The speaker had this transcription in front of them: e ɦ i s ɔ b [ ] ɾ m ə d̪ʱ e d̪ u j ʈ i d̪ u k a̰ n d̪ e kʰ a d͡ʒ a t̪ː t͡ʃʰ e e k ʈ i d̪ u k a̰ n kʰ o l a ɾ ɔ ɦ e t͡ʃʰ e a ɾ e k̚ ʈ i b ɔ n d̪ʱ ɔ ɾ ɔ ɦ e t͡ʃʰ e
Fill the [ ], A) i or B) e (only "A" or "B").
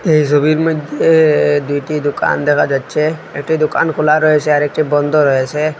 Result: A